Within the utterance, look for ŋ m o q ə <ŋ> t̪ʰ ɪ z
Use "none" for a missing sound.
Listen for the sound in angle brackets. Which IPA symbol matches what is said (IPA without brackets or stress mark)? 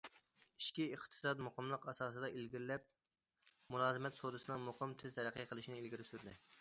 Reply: m